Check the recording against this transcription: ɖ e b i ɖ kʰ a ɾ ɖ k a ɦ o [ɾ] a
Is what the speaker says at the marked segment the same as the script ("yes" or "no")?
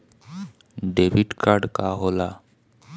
no